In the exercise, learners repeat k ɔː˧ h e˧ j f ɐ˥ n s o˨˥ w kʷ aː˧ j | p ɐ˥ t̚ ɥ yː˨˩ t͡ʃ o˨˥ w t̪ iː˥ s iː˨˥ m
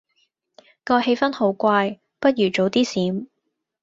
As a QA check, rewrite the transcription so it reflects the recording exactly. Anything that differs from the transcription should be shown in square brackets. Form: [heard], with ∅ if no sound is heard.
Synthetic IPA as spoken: k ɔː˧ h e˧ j f ɐ˥ n [h] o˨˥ w kʷ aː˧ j | p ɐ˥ t̚ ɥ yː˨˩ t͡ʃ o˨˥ w t̪ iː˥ s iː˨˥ m